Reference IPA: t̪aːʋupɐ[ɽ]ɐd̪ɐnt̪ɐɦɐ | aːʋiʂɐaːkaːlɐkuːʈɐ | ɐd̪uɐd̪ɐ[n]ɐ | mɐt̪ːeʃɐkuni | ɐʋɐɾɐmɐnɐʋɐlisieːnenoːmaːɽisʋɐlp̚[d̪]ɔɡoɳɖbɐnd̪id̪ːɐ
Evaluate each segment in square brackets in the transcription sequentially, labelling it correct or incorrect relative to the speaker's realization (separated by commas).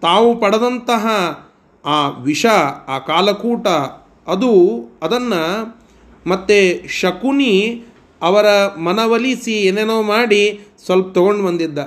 correct, incorrect, incorrect